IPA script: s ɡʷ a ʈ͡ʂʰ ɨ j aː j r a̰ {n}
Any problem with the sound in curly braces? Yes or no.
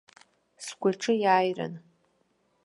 no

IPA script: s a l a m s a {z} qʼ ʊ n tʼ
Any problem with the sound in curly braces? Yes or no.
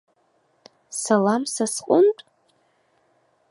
yes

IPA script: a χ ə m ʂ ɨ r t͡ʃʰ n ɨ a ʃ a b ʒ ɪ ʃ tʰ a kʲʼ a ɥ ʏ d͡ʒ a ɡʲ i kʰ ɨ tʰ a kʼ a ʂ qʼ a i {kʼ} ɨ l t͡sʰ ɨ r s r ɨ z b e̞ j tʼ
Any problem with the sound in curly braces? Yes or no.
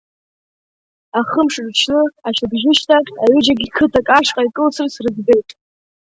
no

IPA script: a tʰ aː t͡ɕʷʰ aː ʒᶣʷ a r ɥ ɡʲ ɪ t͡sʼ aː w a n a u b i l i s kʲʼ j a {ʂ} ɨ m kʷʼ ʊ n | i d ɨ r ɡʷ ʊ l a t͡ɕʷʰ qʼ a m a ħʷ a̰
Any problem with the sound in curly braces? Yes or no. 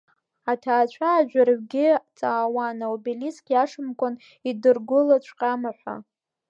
no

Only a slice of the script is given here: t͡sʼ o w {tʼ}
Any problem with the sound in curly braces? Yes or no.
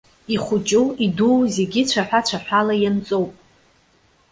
yes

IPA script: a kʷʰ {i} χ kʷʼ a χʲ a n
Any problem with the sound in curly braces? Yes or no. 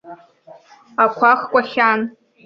yes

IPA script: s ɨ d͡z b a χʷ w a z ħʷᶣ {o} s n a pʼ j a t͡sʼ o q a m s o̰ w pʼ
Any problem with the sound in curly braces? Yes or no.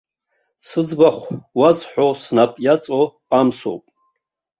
no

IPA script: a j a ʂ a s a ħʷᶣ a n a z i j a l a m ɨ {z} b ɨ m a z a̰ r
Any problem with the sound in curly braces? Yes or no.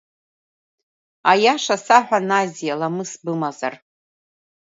yes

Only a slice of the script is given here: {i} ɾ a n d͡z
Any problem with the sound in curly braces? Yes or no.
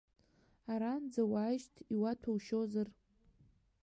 yes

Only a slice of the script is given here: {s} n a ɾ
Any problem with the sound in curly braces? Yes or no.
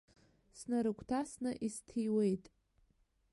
no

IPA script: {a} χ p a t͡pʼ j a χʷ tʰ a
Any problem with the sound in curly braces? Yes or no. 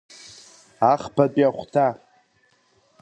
no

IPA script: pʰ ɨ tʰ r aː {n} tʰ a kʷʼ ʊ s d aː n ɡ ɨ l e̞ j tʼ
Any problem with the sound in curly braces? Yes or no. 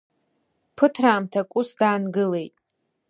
yes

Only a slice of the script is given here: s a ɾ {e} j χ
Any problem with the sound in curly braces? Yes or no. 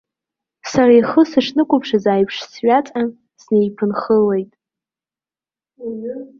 yes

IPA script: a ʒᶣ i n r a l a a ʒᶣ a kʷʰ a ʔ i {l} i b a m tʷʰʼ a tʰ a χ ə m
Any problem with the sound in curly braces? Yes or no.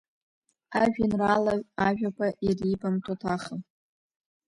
yes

